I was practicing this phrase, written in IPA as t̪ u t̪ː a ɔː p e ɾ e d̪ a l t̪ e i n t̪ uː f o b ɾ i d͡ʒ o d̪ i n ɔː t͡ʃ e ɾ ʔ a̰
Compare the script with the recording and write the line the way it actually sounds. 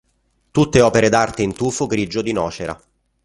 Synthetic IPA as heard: t̪ u t̪ː e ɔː p e ɾ e d̪ a r t̪ e i n t̪ uː f o ɡ ɾ i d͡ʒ o d̪ i n ɔː t͡ʃ e ɾ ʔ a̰